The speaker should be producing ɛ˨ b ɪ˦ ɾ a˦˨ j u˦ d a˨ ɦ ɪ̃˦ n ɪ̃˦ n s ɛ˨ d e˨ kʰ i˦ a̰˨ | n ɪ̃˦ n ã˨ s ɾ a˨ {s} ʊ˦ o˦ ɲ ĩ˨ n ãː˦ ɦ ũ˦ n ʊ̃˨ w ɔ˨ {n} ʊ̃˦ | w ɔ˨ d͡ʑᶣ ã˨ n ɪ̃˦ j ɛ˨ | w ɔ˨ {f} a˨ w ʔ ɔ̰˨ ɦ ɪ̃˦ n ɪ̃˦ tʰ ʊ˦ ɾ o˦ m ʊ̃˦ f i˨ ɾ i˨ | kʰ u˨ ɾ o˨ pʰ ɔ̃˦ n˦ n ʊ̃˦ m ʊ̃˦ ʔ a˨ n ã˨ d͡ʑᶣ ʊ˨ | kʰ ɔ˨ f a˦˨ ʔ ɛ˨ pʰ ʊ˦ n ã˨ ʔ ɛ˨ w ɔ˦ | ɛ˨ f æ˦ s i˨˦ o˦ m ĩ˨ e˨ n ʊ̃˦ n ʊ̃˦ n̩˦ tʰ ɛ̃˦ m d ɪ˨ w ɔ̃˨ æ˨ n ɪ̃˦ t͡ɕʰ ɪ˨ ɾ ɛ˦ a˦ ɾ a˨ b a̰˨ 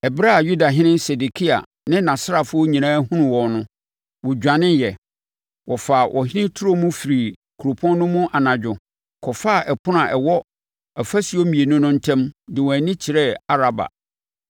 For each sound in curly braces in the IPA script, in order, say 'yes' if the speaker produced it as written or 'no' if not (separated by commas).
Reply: no, yes, yes